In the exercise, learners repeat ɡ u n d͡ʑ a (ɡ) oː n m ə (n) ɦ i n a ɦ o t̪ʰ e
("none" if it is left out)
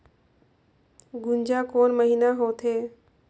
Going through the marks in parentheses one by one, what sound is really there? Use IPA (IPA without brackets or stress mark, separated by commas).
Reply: k, none